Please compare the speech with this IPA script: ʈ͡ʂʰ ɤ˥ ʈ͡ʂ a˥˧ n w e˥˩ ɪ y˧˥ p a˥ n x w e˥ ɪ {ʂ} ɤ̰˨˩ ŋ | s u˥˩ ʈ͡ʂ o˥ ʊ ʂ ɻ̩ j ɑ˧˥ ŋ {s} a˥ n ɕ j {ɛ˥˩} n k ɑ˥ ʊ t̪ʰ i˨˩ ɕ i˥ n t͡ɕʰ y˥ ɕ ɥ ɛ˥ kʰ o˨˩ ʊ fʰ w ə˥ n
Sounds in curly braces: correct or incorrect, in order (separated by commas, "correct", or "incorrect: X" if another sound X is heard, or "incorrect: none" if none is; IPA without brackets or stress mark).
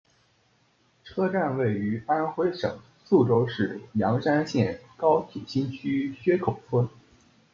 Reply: correct, incorrect: ʂ, correct